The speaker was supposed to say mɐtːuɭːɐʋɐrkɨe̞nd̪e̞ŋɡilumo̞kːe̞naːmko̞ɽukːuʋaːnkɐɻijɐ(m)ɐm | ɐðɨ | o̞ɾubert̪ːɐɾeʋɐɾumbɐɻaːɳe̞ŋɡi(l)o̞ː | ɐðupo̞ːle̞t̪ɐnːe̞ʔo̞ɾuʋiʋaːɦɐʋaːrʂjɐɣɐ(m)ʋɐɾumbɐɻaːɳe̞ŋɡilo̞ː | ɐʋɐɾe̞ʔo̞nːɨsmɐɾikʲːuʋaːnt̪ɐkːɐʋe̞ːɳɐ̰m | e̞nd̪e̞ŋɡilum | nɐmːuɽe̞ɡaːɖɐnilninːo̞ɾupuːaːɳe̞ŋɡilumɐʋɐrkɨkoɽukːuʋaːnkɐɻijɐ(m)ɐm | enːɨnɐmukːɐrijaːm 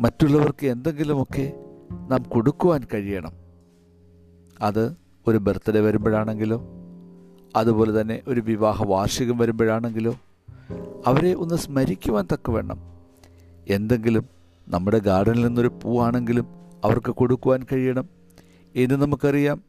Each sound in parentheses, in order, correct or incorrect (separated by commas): incorrect, correct, correct, incorrect